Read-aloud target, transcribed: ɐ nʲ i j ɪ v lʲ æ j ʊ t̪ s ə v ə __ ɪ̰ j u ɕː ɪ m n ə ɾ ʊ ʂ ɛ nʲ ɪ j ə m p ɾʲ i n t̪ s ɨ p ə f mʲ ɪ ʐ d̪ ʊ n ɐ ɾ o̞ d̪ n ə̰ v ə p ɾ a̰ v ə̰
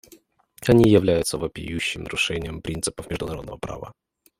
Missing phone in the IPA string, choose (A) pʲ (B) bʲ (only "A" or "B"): A